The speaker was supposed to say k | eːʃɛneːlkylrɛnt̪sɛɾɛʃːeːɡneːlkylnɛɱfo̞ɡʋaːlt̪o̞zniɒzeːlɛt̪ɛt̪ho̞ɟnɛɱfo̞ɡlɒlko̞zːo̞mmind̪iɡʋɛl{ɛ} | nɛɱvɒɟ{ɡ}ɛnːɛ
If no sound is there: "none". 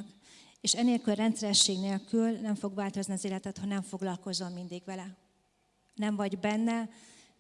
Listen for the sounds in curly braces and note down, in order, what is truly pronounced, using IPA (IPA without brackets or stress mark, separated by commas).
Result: ɛ, b